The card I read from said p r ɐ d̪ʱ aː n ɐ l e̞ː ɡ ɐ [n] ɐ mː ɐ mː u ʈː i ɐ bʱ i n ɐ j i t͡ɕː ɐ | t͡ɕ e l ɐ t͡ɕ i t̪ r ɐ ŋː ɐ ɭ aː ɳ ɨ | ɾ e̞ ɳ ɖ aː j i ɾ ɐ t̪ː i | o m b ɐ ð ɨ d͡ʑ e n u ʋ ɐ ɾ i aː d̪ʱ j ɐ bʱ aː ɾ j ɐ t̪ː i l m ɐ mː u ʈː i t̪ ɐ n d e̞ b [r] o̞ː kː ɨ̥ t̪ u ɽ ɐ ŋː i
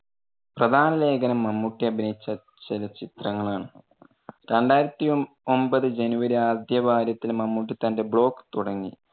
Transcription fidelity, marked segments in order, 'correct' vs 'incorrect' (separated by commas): correct, incorrect